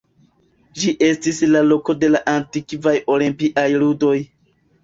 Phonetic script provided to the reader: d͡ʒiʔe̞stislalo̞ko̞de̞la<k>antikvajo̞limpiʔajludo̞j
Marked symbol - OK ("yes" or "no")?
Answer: no